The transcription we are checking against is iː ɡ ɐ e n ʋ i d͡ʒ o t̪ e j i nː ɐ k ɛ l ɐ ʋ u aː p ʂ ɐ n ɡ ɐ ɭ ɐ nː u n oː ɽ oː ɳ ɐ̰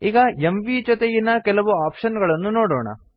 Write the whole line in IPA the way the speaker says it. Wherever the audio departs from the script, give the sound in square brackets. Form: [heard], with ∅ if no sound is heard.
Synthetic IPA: iː ɡ ɐ e [m] ʋ i d͡ʒ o t̪ e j i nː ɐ k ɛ l ɐ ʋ u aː p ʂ ɐ n ɡ ɐ ɭ ɐ nː u n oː ɽ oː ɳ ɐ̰